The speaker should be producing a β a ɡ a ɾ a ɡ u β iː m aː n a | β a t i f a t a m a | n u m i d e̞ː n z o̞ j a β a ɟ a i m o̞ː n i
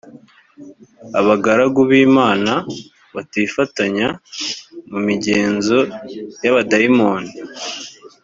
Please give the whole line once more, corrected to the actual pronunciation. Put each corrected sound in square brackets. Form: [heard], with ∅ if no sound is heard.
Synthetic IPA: a β a ɡ a ɾ a ɡ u β iː m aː n a | β a t i f a t a [ɲ] a | [m] u m i [ɟ] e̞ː n z o̞ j a β a [d] a i m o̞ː n i

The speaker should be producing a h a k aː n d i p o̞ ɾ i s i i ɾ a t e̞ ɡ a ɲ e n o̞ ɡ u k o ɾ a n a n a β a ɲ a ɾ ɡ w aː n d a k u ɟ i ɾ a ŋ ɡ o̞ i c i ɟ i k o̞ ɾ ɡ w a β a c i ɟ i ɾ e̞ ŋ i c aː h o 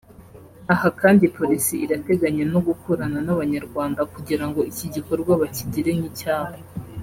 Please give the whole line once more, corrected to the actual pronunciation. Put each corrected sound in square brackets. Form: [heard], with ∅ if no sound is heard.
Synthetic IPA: a h a k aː n d i p o̞ ɾ i s i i ɾ a t e̞ ɡ a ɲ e n o̞ ɡ u k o ɾ a n a n a β a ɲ a ɾ ɡ w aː n d a k u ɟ i ɾ a ŋ ɡ o̞ i c i ɟ i k o̞ ɾ ɡ w a β a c i ɟ i ɾ e̞ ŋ i c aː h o

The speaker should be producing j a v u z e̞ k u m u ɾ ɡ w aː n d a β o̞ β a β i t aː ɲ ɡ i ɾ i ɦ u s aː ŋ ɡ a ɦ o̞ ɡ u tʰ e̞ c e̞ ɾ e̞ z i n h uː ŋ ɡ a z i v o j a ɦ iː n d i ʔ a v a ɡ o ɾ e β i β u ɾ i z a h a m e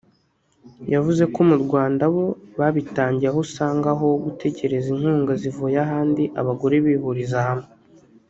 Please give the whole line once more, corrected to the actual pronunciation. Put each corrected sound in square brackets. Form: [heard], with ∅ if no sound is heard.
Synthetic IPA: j a v u z e̞ k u m u ɾ ɡ w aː n d a β o̞ β a β i t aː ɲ [ɟ] i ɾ [a] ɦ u s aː ŋ ɡ a ɦ o̞ ɡ u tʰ e̞ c e̞ ɾ e̞ z i n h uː ŋ ɡ a z i v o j a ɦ [aː] n d i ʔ a [β] a ɡ o ɾ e β i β u ɾ i z a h a m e

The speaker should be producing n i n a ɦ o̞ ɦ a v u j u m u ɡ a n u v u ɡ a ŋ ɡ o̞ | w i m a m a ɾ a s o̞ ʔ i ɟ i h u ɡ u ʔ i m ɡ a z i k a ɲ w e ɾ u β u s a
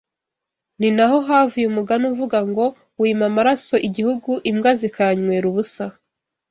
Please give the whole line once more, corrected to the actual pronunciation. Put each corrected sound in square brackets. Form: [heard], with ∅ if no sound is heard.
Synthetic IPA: n i n a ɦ o̞ ɦ a v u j u m u ɡ a n u v u ɡ a ŋ ɡ o̞ | w i m a m a ɾ a s o̞ ʔ i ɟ i h u ɡ u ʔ i m ɡ a z i k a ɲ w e ɾ u β u s a

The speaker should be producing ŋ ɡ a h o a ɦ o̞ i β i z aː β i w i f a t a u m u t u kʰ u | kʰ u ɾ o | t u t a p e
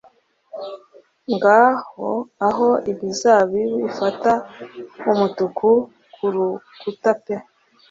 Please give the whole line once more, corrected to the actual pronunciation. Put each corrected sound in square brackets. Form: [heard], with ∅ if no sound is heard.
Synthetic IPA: ŋ ɡ a h o a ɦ o̞ i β i z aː β i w i f a t a u m u t u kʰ u | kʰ u ɾ [u] | [k] u t a p e

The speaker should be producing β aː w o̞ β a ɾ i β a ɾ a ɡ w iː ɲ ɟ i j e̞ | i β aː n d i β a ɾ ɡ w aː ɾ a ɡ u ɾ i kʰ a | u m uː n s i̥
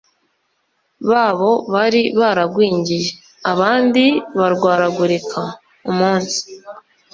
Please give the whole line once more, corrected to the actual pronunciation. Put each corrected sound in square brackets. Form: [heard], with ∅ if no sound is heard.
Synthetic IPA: β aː [β] o̞ β a ɾ i β a ɾ a ɡ w iː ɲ ɟ i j e̞ | [a] β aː n d i β a ɾ ɡ w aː ɾ a ɡ u ɾ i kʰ a | u m uː n s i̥

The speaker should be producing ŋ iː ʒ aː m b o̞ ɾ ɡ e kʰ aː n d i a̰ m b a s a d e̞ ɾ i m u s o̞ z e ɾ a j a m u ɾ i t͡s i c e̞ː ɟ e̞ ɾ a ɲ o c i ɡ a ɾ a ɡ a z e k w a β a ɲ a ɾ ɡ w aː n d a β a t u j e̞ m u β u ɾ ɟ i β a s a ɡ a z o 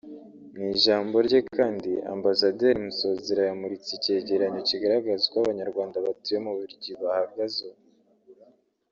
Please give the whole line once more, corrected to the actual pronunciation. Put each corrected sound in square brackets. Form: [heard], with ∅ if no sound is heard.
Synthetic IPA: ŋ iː ʒ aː m b o̞ ɾ [ɟ] e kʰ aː n d i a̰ m b a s a d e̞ ɾ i m u s o̞ z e ɾ a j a m u ɾ i t͡s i c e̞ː ɟ e̞ ɾ a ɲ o c i ɡ a ɾ a ɡ a z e k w a β a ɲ a ɾ ɡ w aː n d a β a t u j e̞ m u β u ɾ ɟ i β a [h] a ɡ a z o

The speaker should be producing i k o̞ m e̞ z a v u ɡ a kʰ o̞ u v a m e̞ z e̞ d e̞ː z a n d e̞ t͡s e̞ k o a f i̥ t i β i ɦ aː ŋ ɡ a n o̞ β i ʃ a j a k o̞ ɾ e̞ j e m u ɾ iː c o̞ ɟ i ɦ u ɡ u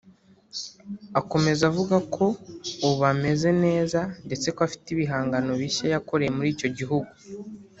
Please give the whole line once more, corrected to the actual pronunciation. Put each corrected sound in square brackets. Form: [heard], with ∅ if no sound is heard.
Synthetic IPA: [a] k o̞ m e̞ z a v u ɡ a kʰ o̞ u [β] a m e̞ z e̞ [n] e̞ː z a n d e̞ t͡s e̞ k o a f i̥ t i β i ɦ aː ŋ ɡ a n o̞ β i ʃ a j a k o̞ ɾ e̞ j e m u ɾ iː c o̞ ɟ i ɦ u ɡ u

